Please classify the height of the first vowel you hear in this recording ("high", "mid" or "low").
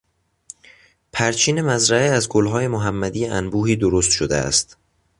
low